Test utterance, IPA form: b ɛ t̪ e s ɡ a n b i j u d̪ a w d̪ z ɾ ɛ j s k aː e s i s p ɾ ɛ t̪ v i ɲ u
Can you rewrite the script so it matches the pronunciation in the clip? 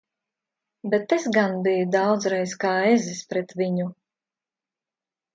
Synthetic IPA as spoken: b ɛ t̪ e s ɡ a n b i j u d̪ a w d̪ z ɾ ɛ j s k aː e z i s p ɾ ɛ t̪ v i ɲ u